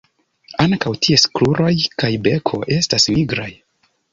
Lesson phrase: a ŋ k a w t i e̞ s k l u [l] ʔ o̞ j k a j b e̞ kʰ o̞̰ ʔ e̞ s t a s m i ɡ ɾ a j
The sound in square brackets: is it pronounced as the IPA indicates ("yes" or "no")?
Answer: no